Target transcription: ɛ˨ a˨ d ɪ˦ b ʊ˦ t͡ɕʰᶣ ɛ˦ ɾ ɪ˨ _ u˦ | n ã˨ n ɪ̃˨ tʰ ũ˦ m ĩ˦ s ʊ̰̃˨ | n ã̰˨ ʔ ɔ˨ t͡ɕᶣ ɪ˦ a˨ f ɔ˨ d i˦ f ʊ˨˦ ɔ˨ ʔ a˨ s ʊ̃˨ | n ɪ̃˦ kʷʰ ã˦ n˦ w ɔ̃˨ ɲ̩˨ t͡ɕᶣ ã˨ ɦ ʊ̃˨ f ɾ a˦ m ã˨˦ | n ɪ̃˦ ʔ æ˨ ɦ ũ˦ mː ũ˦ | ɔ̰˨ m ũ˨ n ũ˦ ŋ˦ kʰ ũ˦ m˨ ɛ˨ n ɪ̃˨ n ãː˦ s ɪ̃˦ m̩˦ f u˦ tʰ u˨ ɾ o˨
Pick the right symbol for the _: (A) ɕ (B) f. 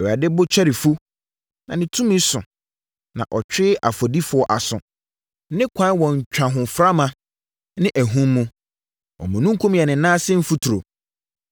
B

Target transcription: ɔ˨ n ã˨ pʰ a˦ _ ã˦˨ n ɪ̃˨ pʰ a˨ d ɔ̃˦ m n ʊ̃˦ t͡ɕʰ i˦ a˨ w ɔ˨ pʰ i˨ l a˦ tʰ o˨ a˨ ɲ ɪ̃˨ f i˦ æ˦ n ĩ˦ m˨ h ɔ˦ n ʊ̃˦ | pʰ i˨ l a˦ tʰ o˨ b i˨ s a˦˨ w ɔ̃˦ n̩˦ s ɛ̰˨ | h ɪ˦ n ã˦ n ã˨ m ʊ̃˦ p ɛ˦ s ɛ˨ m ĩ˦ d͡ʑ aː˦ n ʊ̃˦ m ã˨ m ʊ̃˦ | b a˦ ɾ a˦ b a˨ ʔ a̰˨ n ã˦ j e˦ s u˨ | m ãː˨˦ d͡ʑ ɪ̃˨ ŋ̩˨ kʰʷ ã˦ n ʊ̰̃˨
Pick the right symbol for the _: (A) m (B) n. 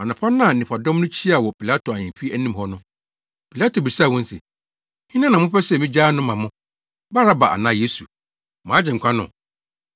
B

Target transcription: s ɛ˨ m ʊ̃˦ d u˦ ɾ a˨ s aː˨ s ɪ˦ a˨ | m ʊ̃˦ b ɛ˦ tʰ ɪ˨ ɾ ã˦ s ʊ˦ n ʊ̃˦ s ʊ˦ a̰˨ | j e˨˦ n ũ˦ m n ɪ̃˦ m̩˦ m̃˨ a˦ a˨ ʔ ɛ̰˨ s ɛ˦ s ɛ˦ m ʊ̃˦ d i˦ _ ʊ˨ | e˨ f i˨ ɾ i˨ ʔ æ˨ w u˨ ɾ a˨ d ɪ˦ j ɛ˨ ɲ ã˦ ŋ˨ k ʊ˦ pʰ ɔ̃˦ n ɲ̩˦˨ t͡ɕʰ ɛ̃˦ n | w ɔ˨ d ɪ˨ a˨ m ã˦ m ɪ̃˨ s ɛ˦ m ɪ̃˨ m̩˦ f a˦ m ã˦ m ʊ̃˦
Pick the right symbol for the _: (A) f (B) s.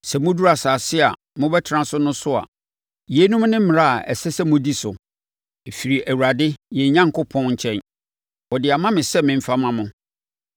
B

